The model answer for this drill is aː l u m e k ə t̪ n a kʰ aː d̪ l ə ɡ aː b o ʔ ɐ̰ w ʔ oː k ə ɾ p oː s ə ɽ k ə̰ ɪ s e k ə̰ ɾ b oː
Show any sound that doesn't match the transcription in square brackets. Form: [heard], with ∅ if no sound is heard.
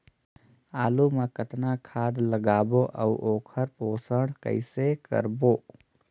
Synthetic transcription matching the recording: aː l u m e k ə t̪ n a kʰ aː d̪ l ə ɡ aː b o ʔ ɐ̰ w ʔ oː [kʰ] ə ɾ p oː s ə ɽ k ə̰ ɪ s e k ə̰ ɾ b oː